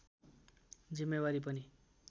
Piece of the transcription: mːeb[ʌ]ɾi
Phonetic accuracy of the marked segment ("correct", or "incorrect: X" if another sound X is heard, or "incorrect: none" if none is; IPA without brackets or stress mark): incorrect: a